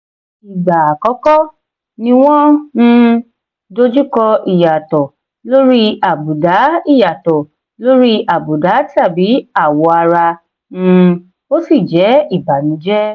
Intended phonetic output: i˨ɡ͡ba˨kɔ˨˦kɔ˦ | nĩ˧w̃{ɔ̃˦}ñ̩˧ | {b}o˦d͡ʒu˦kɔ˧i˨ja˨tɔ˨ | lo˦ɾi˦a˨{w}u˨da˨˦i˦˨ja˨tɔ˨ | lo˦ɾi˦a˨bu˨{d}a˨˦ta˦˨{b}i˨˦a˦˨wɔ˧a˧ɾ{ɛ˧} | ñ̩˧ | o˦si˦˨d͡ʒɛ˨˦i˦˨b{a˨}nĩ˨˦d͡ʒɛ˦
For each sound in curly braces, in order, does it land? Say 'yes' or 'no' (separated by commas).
yes, no, no, yes, yes, no, yes